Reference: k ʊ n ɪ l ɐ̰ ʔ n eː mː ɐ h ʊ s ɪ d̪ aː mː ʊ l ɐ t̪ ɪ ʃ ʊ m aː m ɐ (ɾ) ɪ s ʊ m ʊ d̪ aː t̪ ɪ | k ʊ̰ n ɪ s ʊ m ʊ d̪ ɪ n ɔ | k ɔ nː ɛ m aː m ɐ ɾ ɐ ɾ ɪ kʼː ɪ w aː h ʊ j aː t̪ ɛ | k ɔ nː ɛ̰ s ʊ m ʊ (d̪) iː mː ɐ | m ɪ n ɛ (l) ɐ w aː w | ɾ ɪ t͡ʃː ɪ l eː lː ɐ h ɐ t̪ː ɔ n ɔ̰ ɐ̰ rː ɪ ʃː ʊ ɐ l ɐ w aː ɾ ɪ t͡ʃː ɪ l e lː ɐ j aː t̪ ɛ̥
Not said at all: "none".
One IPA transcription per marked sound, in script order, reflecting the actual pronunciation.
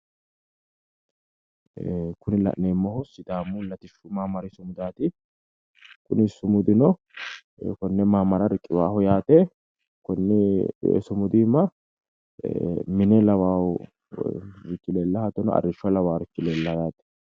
ɾ, d̪, l

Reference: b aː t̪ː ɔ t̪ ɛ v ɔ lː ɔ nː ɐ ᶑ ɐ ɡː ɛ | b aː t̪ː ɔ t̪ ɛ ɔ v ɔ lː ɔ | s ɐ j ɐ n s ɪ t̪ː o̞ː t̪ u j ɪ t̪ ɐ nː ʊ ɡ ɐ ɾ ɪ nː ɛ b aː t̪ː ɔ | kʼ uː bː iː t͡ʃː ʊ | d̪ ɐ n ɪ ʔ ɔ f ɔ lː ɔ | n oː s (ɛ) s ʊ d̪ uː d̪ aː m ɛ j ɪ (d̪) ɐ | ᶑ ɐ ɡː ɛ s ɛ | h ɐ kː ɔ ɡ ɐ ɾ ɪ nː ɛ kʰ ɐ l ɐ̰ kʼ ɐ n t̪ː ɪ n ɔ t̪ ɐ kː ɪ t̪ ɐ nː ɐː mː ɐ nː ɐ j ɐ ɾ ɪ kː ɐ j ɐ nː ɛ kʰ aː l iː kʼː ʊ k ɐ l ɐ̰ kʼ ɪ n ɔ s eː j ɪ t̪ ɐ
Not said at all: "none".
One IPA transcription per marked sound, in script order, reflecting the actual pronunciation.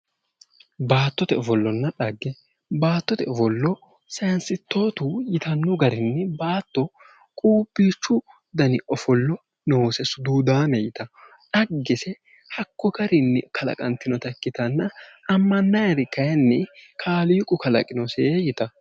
ɛ, t̪

